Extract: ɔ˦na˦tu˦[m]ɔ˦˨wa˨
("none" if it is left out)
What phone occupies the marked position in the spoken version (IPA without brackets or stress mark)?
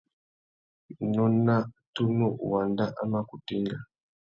n